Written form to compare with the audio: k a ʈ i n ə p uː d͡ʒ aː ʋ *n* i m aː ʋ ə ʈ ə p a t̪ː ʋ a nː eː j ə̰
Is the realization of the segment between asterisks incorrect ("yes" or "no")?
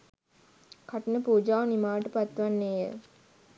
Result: no